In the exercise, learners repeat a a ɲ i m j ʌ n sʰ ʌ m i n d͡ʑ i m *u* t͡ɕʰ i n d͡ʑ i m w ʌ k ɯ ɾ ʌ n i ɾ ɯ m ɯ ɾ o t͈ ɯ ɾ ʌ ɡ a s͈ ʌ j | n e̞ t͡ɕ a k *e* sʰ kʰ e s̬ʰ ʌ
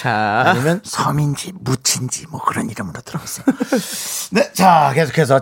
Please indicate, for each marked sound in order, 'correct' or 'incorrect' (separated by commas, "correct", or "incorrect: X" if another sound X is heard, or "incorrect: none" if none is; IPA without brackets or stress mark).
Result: correct, correct